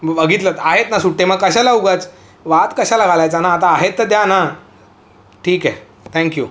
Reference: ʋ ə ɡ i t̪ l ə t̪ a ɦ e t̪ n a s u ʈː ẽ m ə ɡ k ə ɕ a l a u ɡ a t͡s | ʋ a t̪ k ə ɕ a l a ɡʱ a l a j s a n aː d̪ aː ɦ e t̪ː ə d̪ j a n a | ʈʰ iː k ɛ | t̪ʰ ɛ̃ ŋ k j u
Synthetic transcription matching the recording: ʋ ə ɡ i t̪ l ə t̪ a ɦ e t̪ n a s u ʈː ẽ m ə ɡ k ə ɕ a l a u ɡ a t͡s | ʋ a t̪ k ə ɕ a l a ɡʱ a l a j t͡s a n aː t̪ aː ɦ e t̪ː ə d̪ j a n a | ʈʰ iː k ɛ | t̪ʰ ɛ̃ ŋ k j u